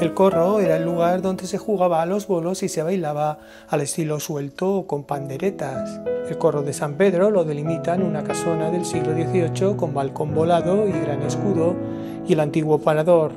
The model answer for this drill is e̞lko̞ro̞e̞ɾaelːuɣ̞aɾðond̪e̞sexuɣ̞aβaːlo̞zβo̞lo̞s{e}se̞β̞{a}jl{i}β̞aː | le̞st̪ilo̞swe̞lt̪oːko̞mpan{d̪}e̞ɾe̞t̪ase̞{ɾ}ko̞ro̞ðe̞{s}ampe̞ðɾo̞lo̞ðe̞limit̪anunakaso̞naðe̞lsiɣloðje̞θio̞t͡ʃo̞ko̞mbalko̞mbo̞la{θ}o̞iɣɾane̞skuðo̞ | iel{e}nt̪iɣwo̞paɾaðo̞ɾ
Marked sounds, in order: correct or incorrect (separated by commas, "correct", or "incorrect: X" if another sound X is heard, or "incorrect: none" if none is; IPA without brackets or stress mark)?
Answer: incorrect: i, correct, incorrect: a, correct, incorrect: l, correct, incorrect: ð, incorrect: a